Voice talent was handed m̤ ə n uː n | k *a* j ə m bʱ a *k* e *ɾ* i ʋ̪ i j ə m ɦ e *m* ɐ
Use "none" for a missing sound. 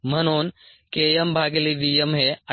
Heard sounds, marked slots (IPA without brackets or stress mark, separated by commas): e, ɡ, l, none